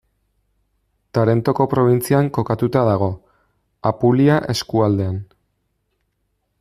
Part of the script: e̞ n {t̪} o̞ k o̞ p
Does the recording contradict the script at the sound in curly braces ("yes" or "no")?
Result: no